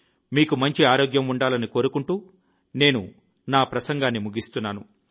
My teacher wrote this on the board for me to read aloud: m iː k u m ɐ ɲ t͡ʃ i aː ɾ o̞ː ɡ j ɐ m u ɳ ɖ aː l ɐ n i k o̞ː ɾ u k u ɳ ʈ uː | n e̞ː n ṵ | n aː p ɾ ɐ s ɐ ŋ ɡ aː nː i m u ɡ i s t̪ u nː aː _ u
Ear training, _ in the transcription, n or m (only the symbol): n